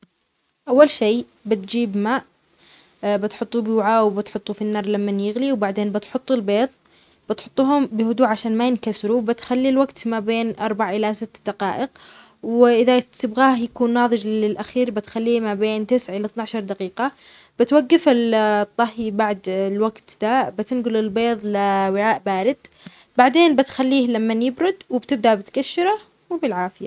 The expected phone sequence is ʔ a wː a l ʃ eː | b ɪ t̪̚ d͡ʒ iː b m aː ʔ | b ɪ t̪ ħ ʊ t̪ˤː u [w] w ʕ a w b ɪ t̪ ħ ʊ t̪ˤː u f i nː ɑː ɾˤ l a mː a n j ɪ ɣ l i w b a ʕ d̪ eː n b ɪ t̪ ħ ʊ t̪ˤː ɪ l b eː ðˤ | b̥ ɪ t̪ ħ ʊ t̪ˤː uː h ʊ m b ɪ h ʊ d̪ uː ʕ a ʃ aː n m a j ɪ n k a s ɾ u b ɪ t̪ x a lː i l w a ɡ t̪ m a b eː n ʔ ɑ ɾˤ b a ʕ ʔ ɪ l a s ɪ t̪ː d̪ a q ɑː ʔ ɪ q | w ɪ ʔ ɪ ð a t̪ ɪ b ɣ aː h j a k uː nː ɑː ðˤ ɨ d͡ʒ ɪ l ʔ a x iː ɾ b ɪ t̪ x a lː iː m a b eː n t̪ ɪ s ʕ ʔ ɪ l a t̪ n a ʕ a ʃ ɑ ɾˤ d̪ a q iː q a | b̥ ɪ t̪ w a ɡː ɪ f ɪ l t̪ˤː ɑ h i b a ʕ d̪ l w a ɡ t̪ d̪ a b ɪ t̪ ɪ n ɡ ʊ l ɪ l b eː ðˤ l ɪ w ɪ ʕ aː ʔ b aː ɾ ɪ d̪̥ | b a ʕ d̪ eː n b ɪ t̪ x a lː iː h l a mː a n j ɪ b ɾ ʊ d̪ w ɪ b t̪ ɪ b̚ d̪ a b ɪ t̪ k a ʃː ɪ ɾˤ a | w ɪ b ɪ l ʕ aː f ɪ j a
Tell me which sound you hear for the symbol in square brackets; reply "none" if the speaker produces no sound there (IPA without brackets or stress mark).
b